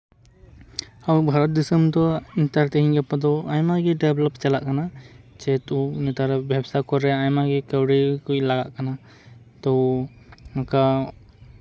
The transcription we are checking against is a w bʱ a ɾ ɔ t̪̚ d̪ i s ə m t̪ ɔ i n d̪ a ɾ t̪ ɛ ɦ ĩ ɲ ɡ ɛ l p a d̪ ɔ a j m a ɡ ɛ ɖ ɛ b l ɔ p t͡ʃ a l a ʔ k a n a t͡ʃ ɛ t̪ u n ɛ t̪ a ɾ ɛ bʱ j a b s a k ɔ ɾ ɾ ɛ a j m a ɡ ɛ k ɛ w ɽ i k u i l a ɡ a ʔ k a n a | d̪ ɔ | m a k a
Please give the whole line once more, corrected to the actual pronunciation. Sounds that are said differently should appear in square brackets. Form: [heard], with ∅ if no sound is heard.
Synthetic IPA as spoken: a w bʱ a ɾ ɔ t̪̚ d̪ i s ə m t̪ ɔ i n [t̪] a ɾ t̪ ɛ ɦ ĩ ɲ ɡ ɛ [∅] p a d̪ ɔ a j m a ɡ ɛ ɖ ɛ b l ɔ p t͡ʃ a l a ʔ k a n a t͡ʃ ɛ t̪ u n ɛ t̪ a ɾ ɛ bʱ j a b s a k ɔ ɾ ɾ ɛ a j m a ɡ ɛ k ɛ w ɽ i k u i l a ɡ a ʔ k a n a | [t̪] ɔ | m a k a